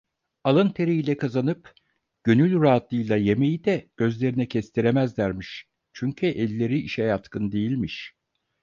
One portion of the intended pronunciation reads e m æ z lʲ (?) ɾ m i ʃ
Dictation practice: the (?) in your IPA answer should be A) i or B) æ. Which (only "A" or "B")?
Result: B